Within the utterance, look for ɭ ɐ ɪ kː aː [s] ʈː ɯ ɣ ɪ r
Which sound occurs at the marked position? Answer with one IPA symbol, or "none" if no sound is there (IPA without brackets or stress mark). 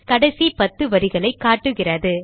none